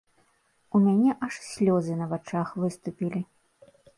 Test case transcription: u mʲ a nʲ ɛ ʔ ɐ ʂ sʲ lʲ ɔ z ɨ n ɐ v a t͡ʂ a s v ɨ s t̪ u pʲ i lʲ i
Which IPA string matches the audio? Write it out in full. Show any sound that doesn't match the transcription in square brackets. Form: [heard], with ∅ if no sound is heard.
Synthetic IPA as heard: u mʲ a nʲ ɛ ʔ ɐ ʂ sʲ lʲ ɔ z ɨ n ɐ v a t͡ʂ a [x] v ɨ s t̪ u pʲ i lʲ i